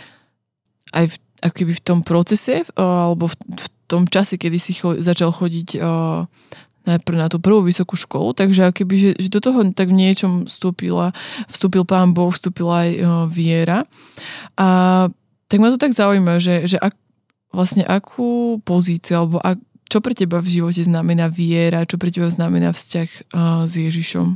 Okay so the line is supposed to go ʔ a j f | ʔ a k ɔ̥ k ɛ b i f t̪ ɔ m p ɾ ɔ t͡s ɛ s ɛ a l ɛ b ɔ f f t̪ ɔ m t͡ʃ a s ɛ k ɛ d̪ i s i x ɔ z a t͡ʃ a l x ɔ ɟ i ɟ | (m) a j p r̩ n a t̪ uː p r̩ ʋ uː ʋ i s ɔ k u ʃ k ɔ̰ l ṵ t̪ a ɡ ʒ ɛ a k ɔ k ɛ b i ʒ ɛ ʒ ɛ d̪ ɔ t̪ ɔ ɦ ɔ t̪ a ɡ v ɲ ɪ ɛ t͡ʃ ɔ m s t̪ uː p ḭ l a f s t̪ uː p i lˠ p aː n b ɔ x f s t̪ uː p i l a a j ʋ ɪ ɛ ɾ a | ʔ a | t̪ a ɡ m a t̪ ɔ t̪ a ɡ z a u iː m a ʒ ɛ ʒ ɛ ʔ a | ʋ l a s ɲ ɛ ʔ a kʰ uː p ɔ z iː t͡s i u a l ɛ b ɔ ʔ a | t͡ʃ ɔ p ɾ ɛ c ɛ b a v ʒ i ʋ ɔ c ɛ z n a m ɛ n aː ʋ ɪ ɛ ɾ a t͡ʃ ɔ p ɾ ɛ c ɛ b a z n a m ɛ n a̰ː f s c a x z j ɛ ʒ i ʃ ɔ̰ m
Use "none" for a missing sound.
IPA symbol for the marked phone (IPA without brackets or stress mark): n